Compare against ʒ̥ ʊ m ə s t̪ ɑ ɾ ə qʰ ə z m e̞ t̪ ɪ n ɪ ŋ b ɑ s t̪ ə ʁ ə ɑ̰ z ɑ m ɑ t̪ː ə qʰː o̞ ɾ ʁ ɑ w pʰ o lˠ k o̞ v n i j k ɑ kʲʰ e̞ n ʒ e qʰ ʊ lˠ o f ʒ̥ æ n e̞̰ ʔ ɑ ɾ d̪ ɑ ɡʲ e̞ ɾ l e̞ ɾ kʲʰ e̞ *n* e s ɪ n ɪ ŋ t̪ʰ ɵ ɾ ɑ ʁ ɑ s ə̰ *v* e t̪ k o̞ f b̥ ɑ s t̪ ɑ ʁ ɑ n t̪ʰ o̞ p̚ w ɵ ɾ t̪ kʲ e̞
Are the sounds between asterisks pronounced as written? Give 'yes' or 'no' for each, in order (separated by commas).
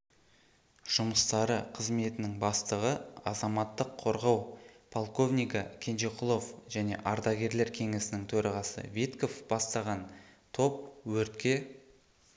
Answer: no, yes